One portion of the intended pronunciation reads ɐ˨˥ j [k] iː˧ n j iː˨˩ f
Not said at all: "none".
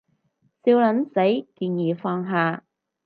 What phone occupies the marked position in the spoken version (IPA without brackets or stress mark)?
k